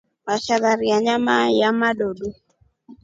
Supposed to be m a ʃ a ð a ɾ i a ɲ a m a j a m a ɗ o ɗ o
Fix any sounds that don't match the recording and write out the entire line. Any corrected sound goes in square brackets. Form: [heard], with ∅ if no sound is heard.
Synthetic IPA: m a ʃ a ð a ɾ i a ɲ a m a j a m a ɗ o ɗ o